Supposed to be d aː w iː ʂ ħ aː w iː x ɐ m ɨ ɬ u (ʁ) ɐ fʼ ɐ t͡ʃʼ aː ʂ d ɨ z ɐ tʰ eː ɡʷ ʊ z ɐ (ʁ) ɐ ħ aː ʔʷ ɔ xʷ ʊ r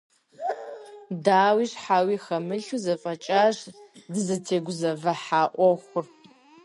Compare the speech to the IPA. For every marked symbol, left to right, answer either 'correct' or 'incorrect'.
incorrect, incorrect

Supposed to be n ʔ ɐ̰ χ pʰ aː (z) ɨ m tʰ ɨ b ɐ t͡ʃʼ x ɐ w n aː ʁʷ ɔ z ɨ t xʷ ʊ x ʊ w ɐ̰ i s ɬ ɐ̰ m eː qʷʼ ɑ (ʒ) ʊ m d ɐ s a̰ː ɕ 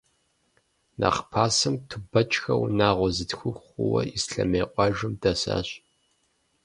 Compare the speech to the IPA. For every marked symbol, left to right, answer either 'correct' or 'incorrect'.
incorrect, correct

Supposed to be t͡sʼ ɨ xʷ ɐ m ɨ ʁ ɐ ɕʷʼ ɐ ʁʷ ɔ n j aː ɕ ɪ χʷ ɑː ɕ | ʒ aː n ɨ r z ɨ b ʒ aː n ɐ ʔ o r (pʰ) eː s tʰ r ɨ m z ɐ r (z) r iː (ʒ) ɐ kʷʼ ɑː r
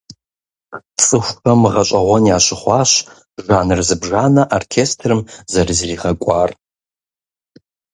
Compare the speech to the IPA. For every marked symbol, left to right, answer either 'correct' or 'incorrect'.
incorrect, correct, incorrect

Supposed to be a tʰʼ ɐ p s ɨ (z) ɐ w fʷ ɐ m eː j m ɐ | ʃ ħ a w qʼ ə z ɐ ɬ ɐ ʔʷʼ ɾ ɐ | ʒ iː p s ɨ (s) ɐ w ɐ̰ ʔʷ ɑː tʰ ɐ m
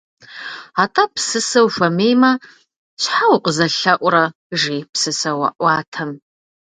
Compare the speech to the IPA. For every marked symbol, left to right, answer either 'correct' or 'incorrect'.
incorrect, correct

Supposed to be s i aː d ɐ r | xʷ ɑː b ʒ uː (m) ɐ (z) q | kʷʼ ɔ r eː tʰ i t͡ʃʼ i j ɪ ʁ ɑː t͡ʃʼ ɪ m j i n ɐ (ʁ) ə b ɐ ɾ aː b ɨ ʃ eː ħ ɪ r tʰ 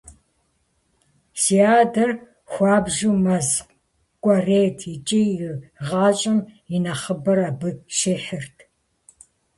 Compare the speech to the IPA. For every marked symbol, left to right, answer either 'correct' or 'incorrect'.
correct, correct, incorrect

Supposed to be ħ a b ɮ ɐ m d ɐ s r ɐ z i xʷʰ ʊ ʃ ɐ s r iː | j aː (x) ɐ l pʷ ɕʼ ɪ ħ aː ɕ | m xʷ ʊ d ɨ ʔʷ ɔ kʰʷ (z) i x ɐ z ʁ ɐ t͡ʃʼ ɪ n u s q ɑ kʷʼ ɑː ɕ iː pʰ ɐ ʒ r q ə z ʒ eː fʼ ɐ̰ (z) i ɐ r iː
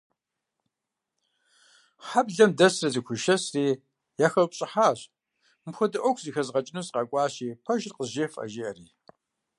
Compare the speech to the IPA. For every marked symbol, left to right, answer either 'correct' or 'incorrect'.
correct, correct, incorrect

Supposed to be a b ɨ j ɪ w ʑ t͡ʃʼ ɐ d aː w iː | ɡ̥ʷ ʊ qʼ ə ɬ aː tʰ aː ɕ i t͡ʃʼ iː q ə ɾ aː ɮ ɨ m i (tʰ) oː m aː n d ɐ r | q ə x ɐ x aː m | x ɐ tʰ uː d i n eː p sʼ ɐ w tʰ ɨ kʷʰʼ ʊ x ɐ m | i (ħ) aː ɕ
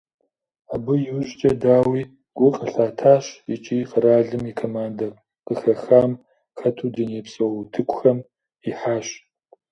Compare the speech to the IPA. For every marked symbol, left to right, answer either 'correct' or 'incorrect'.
incorrect, correct

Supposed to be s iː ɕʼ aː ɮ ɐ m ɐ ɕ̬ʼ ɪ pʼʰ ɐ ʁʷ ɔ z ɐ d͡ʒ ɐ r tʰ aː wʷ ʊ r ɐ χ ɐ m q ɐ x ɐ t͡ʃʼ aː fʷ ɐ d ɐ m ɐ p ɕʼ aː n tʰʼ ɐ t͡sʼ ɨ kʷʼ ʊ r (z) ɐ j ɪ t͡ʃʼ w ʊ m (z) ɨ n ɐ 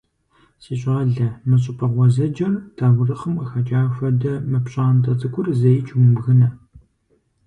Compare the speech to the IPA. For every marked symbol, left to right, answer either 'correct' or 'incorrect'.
correct, incorrect

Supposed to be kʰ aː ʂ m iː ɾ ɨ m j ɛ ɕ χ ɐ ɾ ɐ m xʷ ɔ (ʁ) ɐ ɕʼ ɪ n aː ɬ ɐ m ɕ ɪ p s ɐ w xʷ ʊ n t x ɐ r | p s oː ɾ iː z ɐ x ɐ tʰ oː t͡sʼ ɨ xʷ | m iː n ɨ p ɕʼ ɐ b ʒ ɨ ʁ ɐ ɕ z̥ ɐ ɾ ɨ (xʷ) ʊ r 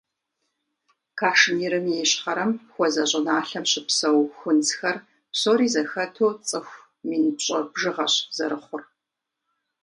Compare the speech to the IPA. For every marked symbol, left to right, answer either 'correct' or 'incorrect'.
incorrect, incorrect

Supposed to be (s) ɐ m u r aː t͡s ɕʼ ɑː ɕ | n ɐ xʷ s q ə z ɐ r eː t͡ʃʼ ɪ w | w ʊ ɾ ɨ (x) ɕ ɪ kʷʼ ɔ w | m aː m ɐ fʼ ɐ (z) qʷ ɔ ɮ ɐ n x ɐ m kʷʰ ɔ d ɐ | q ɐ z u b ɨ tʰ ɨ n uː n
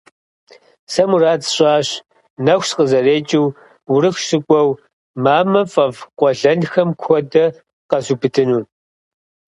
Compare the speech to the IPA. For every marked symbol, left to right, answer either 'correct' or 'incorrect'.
correct, correct, incorrect

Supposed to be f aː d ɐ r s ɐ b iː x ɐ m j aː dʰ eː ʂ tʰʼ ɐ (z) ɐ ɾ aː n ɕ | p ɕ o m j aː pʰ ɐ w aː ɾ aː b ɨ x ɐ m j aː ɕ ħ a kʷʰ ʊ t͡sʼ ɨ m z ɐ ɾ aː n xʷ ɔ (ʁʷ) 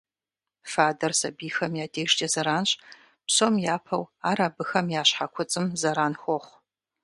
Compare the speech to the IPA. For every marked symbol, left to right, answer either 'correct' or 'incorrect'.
correct, incorrect

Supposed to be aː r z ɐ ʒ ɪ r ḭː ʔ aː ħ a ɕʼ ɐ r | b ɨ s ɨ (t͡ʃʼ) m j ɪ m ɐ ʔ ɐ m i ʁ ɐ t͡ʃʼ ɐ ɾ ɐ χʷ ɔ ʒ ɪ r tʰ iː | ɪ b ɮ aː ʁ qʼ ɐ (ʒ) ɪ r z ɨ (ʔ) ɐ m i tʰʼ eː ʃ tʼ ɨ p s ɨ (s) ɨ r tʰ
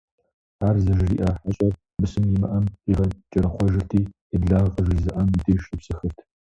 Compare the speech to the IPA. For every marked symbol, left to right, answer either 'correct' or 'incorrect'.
incorrect, correct, correct, incorrect

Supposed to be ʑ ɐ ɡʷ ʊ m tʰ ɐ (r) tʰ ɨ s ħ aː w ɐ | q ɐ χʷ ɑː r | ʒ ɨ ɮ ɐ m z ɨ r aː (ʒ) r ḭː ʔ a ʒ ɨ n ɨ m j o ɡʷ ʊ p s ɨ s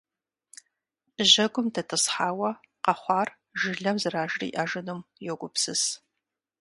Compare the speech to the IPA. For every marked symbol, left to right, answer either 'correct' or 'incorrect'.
incorrect, correct

